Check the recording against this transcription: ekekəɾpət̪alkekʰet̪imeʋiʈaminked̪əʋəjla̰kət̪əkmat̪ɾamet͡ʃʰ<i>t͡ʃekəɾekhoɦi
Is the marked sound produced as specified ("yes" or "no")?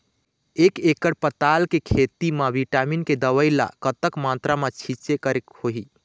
yes